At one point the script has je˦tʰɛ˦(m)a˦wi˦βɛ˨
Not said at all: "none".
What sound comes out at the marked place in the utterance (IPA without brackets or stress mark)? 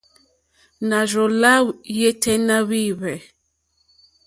n